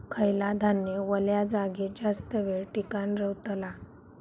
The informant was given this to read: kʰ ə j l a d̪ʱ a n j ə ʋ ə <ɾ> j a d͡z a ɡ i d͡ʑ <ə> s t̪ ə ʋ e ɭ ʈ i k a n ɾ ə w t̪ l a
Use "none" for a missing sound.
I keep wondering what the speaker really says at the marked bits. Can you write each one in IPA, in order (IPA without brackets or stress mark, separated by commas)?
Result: l, a